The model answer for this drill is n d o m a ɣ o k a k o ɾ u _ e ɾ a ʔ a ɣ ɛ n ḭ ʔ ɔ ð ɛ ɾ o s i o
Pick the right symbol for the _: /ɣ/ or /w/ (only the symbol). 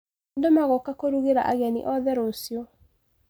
ɣ